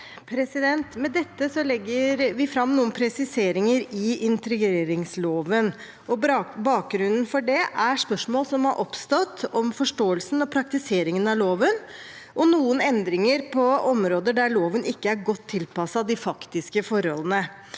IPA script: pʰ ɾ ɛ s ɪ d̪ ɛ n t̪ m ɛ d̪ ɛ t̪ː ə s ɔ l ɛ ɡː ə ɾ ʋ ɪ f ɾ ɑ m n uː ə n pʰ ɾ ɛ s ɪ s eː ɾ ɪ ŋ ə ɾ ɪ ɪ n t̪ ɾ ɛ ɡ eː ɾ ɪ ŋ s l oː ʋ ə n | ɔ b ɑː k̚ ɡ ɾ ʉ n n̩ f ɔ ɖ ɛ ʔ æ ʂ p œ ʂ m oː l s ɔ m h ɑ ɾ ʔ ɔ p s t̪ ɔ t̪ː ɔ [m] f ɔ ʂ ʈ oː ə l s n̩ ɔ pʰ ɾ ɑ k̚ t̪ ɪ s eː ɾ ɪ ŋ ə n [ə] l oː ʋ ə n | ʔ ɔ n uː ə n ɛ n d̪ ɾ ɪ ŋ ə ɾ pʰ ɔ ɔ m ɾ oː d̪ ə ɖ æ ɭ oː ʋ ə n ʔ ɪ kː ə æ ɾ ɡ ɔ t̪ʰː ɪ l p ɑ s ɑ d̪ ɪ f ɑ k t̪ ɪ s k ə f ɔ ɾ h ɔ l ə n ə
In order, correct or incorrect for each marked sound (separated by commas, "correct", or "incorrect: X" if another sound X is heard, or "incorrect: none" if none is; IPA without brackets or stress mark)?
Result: correct, incorrect: ɑ